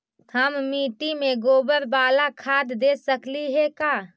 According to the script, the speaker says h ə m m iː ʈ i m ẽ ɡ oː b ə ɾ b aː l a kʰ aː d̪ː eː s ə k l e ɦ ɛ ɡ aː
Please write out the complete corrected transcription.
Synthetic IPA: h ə m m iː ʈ i m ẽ ɡ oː b ə ɾ b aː l a kʰ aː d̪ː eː s ə k l i ɦ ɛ k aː